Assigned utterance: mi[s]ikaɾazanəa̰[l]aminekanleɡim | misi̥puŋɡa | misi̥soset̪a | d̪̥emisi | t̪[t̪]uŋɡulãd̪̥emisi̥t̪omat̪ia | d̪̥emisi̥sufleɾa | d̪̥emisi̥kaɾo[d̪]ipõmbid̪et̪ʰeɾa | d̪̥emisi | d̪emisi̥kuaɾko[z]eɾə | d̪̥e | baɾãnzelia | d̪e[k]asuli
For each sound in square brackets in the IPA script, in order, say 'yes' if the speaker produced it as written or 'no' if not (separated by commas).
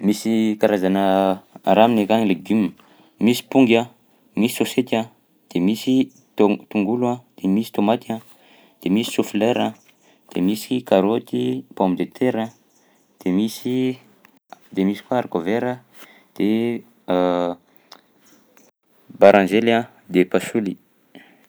yes, no, yes, no, no, no